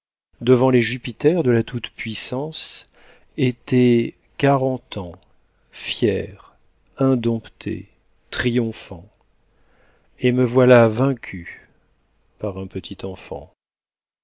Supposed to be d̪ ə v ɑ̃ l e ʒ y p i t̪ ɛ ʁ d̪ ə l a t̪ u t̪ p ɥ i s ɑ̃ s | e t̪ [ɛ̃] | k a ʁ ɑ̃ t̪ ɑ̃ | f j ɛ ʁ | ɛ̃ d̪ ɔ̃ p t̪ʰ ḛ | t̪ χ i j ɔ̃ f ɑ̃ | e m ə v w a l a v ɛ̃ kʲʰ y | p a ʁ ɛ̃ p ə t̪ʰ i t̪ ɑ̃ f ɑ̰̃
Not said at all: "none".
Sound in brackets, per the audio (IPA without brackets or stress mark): ɛ